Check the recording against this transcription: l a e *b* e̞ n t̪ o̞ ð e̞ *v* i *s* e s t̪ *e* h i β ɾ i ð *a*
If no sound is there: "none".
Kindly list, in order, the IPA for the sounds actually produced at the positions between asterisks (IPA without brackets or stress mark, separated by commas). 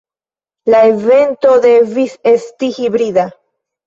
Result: v, v, s, i, a